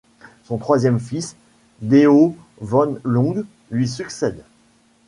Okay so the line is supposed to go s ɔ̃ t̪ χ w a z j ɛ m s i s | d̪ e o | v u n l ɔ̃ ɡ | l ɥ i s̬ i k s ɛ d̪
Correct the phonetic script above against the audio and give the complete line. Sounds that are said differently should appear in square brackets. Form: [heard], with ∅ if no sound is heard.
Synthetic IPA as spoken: s ɔ̃ t̪ χ w a z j ɛ m [f] i s | d̪ e o | v [ɔ] n l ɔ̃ ɡ | l ɥ i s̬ [y] k s ɛ d̪